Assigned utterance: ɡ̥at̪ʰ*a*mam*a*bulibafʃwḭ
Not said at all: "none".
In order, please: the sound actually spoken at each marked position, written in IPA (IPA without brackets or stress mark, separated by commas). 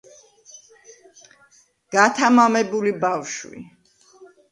a, ɛ